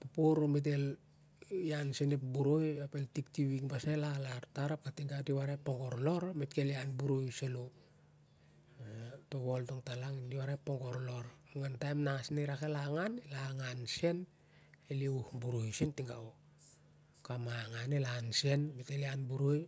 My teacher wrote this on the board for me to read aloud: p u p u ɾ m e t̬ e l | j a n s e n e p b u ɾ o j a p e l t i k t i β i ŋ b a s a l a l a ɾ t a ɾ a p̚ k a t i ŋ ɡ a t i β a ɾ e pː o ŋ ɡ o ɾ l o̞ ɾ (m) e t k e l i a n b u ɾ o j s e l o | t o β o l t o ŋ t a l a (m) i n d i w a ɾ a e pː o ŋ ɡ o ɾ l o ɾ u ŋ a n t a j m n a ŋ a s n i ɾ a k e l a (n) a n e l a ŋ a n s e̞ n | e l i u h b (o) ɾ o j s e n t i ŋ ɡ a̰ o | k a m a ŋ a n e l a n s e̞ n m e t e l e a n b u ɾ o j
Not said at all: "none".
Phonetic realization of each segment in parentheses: m, ŋ, ŋ, u

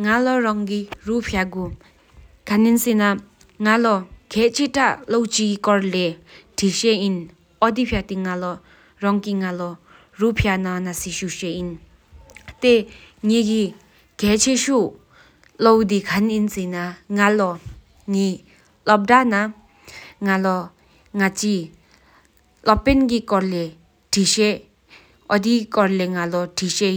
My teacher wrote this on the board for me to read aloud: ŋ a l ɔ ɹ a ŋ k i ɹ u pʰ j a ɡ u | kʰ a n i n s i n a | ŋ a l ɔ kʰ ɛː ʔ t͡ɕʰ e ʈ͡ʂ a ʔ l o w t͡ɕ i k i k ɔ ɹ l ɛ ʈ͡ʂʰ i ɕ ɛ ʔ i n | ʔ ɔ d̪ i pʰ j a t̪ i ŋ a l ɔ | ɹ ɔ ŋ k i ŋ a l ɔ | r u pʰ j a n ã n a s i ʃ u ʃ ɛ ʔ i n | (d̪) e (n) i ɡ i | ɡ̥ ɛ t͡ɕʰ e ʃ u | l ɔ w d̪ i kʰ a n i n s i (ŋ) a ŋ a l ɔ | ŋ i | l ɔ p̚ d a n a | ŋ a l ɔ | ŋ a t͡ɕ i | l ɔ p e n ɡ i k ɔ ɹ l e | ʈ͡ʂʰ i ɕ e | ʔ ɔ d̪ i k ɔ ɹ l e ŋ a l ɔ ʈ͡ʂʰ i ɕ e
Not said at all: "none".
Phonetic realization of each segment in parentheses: t̪, ŋ, n

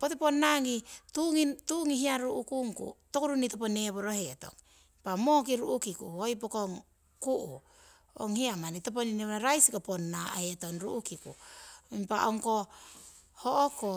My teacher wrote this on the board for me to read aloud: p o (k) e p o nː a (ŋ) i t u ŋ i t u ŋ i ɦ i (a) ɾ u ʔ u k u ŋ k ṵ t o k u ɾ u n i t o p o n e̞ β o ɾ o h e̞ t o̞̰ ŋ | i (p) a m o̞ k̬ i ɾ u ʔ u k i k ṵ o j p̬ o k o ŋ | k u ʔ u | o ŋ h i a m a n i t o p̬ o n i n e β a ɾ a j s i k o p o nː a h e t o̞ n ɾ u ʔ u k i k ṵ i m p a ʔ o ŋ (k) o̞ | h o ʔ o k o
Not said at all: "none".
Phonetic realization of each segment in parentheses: t, ŋ, a, p, k

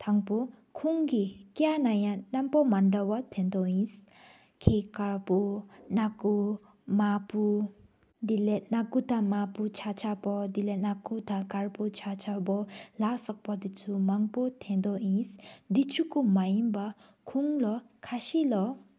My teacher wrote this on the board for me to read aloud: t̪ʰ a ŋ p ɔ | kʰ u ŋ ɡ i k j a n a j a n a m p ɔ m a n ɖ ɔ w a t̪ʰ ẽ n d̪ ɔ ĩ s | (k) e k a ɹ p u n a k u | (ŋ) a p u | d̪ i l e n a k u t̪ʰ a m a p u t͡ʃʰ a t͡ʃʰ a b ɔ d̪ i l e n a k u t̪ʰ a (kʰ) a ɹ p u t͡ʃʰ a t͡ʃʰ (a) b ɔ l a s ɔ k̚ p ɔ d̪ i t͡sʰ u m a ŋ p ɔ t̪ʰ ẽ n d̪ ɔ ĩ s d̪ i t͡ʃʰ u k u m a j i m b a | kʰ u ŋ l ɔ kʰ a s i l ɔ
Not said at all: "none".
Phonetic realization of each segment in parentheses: kʰ, m, k, a

